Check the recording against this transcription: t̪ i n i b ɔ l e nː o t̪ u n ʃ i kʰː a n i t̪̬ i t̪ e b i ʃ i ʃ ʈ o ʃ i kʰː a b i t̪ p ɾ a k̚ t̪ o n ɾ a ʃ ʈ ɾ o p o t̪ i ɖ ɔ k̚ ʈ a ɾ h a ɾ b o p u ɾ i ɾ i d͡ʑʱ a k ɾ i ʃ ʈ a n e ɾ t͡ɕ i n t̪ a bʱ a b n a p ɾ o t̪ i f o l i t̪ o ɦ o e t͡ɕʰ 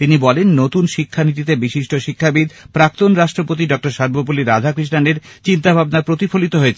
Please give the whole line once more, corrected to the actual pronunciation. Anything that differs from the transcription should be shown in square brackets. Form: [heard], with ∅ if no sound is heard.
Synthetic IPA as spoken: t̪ i n i b ɔ l e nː o t̪ u n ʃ i kʰː a n i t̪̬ i t̪ e b i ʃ i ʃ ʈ o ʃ i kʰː a b i [d̪] p ɾ a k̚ t̪ o n ɾ a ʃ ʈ ɾ o p o t̪ i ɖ ɔ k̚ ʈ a ɾ [ʃ] a ɾ b o p u [l] i ɾ [a] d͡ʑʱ a k ɾ i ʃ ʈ a n e ɾ t͡ɕ i n t̪ a bʱ a b n a p ɾ o t̪ i f o l i t̪ o ɦ o e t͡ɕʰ

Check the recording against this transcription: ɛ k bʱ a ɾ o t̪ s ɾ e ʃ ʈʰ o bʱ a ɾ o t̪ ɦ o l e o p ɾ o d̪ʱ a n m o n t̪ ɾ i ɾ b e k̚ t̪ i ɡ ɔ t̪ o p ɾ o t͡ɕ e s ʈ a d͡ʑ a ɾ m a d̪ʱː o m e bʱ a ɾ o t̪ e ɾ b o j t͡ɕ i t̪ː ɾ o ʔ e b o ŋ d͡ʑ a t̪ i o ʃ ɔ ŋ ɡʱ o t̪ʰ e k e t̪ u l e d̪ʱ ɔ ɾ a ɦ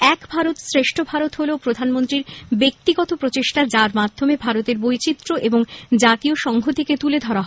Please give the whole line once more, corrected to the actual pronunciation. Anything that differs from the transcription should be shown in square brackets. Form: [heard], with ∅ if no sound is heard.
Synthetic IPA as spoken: ɛ k bʱ a ɾ o t̪ s ɾ e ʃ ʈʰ o bʱ a ɾ o t̪ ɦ o l e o p ɾ o d̪ʱ a n m o n t̪ ɾ i ɾ b e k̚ t̪ i ɡ ɔ t̪ o p ɾ o t͡ɕ e [ʃ] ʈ a d͡ʑ a ɾ m a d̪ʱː o m e bʱ a ɾ o t̪ e ɾ b o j t͡ɕ i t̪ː ɾ o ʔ e b o ŋ d͡ʑ a t̪ i o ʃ ɔ ŋ ɡʱ o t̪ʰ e k e t̪ u l e d̪ʱ ɔ ɾ a ɦ

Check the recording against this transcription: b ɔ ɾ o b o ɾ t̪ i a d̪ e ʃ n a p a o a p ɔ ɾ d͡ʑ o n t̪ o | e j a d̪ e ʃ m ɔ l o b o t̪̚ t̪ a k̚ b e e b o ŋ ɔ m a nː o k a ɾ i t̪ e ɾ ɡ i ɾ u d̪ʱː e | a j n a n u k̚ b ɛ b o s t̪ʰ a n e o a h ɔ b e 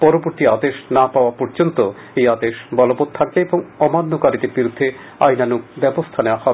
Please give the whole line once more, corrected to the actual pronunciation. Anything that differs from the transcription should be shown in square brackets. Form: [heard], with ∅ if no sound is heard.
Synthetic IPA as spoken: [p] ɔ ɾ o b o ɾ t̪ i a d̪ e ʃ n a p a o a p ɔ ɾ d͡ʑ o n t̪ o | e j a d̪ e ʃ [b] ɔ l o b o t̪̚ [t̪ʰ] a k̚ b e e b o ŋ ɔ m a nː o k a ɾ i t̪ e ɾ [b] i ɾ u d̪ʱː e | a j n a n u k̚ b ɛ b o s t̪ʰ a n e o a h ɔ b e

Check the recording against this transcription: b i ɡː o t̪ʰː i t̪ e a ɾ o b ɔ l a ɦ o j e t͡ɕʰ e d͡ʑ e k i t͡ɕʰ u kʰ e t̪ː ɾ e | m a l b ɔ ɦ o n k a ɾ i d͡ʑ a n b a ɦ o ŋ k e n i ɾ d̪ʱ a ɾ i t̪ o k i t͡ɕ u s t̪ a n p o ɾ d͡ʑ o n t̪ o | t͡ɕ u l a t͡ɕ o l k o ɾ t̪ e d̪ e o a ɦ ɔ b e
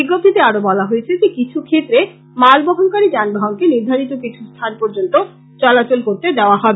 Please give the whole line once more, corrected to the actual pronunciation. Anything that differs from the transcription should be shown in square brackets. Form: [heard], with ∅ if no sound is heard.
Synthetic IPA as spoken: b i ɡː o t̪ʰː i t̪ e a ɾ o b ɔ l a ɦ o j e t͡ɕʰ e d͡ʑ e k i t͡ɕʰ u kʰ e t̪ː ɾ e | m a l b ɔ ɦ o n k a ɾ i d͡ʑ a n b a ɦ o ŋ k e n i ɾ d̪ʱ a ɾ i t̪ o k i [t͡ɕʰ] u s [t̪ʰ] a n p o ɾ d͡ʑ o n t̪ o | t͡ɕ [ɔ] l a t͡ɕ o l k o ɾ t̪ e d̪ e o a ɦ ɔ b e

